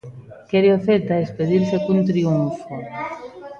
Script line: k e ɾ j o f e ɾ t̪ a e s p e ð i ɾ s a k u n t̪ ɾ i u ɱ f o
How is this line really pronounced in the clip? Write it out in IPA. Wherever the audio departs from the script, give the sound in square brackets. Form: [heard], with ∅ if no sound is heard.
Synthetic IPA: k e ɾ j o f e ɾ t̪ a e s p e ð i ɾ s [e] k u n t̪ ɾ i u ɱ f o